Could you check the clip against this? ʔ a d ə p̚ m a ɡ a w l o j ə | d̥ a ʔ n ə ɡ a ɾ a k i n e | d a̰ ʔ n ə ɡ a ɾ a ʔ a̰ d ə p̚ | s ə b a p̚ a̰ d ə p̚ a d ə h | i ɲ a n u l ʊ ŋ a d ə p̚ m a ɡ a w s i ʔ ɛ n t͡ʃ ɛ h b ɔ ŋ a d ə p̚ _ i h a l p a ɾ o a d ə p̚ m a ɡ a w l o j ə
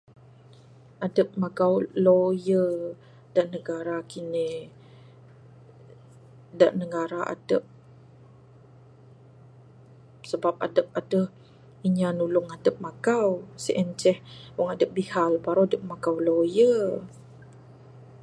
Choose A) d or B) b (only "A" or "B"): B